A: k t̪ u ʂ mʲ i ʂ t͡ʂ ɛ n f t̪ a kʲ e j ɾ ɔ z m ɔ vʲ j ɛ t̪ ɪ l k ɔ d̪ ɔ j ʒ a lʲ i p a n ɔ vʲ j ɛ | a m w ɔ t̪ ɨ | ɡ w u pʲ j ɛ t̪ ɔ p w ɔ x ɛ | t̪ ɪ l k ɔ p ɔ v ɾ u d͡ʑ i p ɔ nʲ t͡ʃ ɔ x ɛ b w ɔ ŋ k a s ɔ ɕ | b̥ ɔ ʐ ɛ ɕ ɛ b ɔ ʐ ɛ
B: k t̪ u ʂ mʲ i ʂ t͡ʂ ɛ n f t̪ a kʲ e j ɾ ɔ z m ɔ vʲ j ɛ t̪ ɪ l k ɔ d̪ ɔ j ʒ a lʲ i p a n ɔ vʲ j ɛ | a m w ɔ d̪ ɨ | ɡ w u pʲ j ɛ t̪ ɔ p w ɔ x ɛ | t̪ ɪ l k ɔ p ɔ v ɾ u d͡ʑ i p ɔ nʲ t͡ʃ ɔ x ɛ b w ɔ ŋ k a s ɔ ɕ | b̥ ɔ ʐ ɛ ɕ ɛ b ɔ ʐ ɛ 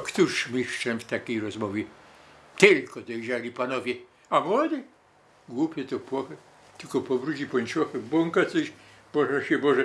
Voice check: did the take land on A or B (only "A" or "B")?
B